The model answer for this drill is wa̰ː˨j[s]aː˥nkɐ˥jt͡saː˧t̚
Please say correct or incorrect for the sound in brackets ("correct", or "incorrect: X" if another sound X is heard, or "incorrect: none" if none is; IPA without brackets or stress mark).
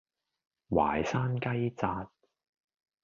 correct